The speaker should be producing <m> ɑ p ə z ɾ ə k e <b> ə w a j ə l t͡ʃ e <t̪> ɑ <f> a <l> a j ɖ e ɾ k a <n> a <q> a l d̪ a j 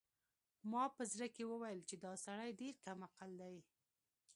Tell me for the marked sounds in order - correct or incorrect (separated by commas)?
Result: correct, incorrect, incorrect, incorrect, incorrect, incorrect, correct